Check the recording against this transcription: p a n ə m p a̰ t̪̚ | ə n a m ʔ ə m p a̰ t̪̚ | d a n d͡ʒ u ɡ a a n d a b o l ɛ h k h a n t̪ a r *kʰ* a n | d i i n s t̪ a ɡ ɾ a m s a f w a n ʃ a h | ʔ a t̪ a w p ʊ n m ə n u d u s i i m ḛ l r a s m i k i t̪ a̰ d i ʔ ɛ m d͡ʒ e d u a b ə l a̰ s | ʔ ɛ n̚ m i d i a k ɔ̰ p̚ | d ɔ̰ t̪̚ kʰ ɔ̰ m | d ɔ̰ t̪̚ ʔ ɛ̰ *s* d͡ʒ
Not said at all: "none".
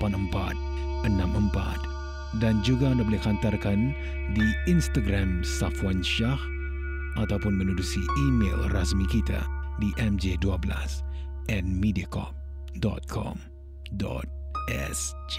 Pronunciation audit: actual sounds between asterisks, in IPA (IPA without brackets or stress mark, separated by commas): k, s